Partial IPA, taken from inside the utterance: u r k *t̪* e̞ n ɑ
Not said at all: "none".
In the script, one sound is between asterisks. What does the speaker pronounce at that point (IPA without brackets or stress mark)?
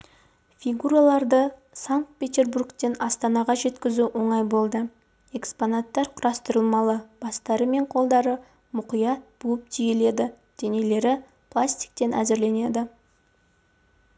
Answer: t̪